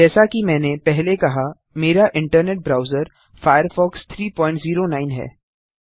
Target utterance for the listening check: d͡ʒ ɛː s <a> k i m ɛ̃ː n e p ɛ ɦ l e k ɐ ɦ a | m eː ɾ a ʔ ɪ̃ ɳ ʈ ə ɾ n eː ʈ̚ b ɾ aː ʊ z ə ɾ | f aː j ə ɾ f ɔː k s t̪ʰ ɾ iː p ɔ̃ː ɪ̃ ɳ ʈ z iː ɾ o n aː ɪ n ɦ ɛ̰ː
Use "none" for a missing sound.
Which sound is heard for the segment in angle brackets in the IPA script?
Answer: a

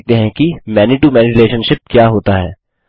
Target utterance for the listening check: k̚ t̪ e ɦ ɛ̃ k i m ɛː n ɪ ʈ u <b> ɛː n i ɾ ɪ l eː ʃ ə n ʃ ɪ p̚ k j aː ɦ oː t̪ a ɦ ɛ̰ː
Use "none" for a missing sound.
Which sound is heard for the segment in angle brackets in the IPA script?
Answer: m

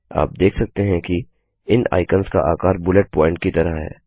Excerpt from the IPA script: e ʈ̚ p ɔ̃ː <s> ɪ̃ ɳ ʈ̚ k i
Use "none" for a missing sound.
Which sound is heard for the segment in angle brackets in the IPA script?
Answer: none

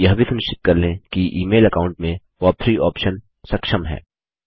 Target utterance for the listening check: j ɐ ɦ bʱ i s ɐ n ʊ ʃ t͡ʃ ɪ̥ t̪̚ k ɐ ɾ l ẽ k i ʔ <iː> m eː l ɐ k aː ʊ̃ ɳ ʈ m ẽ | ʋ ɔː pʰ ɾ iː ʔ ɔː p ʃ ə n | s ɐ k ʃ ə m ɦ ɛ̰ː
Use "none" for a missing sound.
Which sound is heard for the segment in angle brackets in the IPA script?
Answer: iː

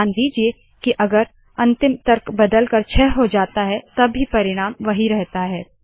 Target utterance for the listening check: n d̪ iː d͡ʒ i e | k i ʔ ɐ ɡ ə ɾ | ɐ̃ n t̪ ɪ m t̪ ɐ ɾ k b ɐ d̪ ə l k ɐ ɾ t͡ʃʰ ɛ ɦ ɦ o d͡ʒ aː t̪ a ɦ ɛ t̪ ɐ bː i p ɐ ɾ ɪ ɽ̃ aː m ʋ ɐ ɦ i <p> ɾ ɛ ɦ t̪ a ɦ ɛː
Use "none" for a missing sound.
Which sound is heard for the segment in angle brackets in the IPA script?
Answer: none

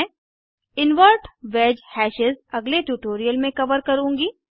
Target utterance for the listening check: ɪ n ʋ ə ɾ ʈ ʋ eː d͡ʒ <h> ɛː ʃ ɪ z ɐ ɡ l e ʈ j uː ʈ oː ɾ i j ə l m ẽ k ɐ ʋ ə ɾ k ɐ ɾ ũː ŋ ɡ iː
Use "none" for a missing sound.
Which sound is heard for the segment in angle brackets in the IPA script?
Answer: h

